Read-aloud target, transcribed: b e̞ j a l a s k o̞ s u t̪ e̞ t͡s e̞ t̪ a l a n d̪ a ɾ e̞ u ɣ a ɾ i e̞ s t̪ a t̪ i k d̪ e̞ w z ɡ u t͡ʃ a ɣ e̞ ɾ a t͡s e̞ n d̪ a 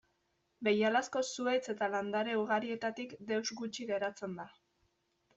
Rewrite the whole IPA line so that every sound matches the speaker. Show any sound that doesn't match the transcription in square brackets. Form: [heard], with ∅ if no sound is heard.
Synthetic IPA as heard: b e̞ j a l a s k o̞ s u [∅] e̞ t͡s e̞ t̪ a l a n d̪ a ɾ e̞ u ɣ a ɾ i e̞ [∅] t̪ a t̪ i k d̪ e̞ w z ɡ u t͡ʃ [i] ɣ e̞ ɾ a t͡s e̞ n d̪ a